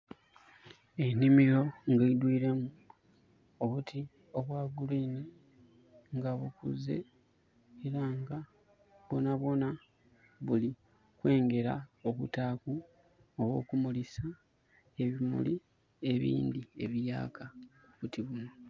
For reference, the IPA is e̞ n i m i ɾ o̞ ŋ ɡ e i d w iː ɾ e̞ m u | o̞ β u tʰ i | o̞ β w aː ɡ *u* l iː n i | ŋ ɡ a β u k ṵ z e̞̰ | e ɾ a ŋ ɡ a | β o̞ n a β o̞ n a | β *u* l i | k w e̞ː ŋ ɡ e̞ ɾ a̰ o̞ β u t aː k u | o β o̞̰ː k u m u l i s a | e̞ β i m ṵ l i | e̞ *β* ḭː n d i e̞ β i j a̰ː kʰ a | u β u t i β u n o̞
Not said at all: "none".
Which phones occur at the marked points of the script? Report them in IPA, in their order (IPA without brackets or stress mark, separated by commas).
u, u, β